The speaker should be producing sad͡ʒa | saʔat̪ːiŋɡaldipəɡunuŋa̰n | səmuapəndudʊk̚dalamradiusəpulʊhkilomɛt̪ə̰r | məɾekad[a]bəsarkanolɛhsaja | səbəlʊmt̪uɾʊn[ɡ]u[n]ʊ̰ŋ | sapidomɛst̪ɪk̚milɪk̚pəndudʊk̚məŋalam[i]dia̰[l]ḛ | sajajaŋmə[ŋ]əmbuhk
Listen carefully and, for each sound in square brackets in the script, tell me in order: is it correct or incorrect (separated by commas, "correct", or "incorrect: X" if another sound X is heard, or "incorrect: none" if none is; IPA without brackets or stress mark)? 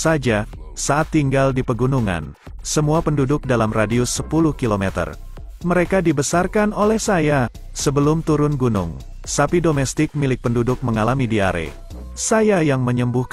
incorrect: i, correct, correct, correct, incorrect: ɾ, incorrect: ɲ